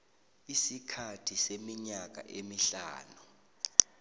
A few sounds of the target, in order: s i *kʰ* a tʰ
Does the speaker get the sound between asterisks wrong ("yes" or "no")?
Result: no